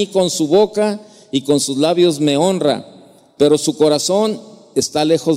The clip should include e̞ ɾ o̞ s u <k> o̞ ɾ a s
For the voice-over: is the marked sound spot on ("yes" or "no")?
yes